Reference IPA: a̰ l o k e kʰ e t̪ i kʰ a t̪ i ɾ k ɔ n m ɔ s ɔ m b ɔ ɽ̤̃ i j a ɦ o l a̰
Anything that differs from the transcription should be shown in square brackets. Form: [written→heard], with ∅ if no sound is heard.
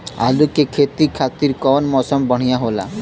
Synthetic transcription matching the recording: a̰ l [o→u] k e kʰ e t̪ i kʰ a t̪ i ɾ k ɔ n m ɔ s ɔ m b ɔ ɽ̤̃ i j a ɦ o l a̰

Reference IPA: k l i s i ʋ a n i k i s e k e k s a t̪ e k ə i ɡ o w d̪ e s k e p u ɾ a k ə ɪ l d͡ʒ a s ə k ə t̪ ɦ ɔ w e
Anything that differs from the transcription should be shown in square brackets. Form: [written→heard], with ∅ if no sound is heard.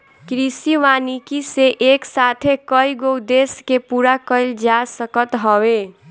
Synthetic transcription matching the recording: k [l→ɾ] i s i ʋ a n i k i s e [k→ʔ] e k s a [t̪→t̪ʰ] e k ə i ɡ o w d̪ e s k e p u ɾ a k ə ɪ l d͡ʒ a s ə k ə t̪ ɦ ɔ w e

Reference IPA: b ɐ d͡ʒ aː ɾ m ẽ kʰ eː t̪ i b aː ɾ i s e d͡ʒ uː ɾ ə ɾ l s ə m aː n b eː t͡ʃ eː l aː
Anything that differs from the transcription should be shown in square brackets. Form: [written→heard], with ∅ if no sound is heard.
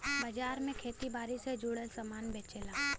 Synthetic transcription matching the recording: b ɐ d͡ʒ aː ɾ m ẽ kʰ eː t̪ i b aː ɾ i s e d͡ʒ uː [ɾ→ɽ] ə [ɾ→∅] l s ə m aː n b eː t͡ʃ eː l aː

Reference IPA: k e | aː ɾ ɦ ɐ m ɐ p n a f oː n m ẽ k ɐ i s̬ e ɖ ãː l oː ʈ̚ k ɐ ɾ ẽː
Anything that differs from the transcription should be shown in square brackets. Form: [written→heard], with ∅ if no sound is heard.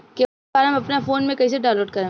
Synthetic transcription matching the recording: k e | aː ɾ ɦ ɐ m ɐ p n a f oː n m ẽ k ɐ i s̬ e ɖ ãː l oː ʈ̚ k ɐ ɾ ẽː

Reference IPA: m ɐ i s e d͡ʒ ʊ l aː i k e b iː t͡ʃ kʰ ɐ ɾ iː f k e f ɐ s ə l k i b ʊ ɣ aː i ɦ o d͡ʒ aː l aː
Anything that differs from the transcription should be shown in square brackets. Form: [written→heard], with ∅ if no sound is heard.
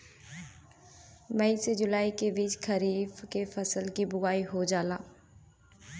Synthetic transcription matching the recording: m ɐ i s e d͡ʒ ʊ l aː i k e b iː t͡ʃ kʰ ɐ ɾ iː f k e f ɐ s ə l k i b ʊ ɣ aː i ɦ o d͡ʒ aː l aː

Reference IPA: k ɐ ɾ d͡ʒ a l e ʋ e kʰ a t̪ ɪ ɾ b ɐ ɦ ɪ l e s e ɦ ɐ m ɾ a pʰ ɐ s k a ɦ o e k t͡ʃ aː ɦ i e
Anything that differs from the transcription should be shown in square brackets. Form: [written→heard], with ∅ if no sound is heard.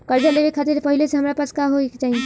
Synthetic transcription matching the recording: k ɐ ɾ d͡ʒ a l e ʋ e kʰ a t̪ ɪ ɾ [b→p] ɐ ɦ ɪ l e s e ɦ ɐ m ɾ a [pʰ→p] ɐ s k a ɦ o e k t͡ʃ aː ɦ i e

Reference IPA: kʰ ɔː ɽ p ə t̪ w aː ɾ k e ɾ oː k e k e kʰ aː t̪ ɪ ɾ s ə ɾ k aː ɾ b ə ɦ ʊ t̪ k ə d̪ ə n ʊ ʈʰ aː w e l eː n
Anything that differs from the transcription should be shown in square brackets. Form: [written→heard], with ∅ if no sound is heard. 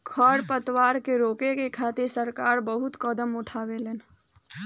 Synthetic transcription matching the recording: kʰ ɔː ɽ p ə t̪ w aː ɾ k e ɾ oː k e k e kʰ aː t̪ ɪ ɾ s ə ɾ k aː ɾ b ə ɦ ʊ t̪ k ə d̪ ə [n→m] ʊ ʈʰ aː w e l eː n

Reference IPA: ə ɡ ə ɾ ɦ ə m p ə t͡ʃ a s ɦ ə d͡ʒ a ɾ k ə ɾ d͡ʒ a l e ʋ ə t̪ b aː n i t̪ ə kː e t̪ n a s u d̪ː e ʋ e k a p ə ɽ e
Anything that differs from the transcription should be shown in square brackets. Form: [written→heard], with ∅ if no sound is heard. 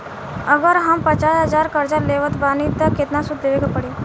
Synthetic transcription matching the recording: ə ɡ ə ɾ ɦ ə m p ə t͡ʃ a s ɦ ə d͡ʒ a ɾ k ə ɾ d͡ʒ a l e ʋ ə t̪ b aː n i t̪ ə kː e t̪ n a s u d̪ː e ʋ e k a p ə ɽ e

